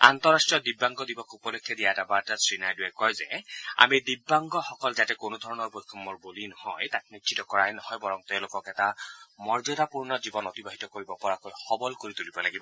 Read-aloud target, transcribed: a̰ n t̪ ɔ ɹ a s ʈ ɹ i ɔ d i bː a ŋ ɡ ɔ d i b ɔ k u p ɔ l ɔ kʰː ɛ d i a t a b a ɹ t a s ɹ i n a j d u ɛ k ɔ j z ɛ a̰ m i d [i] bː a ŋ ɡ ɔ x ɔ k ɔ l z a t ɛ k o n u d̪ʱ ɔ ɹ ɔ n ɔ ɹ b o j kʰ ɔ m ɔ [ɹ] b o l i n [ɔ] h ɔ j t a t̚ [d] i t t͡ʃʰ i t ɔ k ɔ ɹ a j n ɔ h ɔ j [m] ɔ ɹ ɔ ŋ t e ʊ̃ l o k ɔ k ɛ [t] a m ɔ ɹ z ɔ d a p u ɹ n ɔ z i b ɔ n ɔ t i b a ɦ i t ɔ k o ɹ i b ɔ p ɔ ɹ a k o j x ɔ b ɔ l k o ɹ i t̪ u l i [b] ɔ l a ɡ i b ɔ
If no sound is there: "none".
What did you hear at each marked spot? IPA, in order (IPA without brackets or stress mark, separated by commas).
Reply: i, ɹ, ɔ, n, b, t, b